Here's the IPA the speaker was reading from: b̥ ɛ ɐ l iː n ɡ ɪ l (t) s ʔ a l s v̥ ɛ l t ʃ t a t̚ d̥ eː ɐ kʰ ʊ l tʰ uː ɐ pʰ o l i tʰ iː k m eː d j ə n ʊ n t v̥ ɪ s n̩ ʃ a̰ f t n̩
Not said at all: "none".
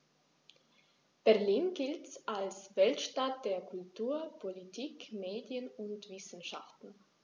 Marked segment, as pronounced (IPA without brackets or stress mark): t